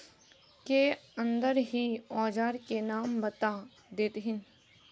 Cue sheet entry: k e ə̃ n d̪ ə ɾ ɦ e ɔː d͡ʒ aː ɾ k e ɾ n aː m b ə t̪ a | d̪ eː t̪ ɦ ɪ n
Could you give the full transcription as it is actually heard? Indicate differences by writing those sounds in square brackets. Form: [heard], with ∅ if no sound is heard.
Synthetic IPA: k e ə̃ n d̪ ə ɾ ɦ [i] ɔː d͡ʒ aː ɾ k e [∅] n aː m b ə t̪ a | d̪ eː t̪ ɦ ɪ n